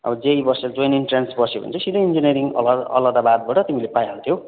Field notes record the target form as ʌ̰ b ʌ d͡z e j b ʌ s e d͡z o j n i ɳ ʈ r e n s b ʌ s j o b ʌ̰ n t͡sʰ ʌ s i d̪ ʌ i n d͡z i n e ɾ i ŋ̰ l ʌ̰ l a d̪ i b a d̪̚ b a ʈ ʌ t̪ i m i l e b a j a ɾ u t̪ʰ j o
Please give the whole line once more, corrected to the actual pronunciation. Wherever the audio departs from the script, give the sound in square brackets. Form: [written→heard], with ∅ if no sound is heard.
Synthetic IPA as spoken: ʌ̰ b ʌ d͡z e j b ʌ s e d͡z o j n i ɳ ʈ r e n s b ʌ s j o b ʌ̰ n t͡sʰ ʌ s i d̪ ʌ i n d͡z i n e ɾ i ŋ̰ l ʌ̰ l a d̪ [i→a] b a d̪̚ b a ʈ ʌ t̪ i m i l e [b→p] a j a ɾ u t̪ʰ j o